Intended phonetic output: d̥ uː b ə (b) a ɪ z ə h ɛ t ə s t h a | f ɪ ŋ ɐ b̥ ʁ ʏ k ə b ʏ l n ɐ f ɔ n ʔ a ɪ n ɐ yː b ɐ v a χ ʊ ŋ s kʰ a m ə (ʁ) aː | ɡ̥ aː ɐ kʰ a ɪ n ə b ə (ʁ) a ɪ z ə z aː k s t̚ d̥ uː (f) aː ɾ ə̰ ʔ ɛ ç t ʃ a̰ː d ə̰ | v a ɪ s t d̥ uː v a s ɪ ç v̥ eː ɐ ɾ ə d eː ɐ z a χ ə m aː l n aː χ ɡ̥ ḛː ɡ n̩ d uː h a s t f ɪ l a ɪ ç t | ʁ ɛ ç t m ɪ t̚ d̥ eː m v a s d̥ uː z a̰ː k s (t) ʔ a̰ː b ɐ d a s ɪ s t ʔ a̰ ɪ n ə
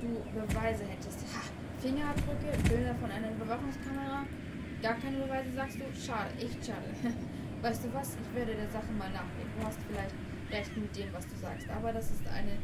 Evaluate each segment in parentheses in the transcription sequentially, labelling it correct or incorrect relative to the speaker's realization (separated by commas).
incorrect, correct, incorrect, incorrect, correct